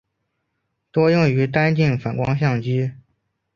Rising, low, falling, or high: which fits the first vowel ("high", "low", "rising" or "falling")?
high